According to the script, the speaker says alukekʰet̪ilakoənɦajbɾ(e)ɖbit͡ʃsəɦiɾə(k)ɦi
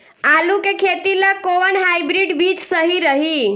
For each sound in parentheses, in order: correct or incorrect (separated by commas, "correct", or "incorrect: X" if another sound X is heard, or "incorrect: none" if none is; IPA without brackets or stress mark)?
incorrect: i, incorrect: none